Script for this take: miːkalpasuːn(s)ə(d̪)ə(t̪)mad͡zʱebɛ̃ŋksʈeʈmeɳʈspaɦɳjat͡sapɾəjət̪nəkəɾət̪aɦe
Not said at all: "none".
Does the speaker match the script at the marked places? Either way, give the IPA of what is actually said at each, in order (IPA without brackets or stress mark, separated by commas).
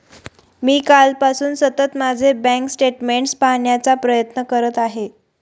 s, t̪, t̪